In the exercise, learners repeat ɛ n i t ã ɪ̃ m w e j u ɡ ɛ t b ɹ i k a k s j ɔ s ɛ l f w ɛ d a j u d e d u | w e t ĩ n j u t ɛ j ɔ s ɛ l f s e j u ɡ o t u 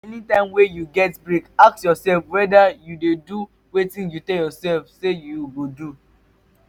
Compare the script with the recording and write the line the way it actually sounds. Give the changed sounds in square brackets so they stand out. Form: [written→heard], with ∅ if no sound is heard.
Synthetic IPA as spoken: ɛ n i t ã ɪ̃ m w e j u ɡ ɛ t b ɹ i k a k s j ɔ s ɛ l f w ɛ d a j u d e d u | w e t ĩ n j u t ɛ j ɔ s ɛ l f s e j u ɡ o [t→d] u